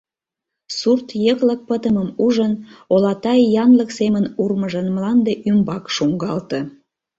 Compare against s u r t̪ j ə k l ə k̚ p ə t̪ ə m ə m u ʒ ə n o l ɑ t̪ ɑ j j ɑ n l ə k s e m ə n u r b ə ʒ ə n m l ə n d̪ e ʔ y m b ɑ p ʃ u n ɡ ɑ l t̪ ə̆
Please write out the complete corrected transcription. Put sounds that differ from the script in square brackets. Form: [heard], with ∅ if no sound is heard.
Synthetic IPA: s u r t̪ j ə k l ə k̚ p ə t̪ ə m ə m u ʒ ə n o l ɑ t̪ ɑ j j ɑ n l ə k s e m ə n u r [m] ə ʒ ə n m l [ɑ] n d̪ e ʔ y m b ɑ [k] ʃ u [ŋ] ɡ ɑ l t̪ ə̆